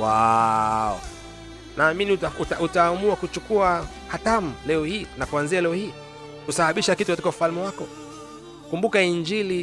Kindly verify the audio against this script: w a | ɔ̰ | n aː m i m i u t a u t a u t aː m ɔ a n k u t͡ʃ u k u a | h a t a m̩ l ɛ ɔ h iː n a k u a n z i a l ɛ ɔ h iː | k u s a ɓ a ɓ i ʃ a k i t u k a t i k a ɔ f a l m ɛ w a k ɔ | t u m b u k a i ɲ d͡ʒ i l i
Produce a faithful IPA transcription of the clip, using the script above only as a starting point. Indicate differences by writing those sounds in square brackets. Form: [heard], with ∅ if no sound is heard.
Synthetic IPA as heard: w a | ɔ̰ | n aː m i [n] i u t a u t a u t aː m [u] a [∅] k u t͡ʃ u k u a | h a t a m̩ l ɛ ɔ h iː n a k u a n z i a l ɛ ɔ h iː | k u s a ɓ a ɓ i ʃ a k i t u k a t i k a [u] f a l m ɛ w a k ɔ | [k] u m b u k a i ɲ d͡ʒ i l i